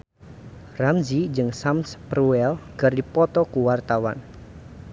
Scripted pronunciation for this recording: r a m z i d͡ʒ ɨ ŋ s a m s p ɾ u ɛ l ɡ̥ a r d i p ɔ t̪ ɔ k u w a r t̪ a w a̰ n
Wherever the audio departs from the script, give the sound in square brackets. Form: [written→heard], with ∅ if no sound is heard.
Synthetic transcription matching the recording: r a m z i d͡ʒ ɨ ŋ s a m s p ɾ u ɛ l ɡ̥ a r d i p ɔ t̪ ɔ k u w a r t̪ a w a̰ n